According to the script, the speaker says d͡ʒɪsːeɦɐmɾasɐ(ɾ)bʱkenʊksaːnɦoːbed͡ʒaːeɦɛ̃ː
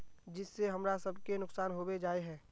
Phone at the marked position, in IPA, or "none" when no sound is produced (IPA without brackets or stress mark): none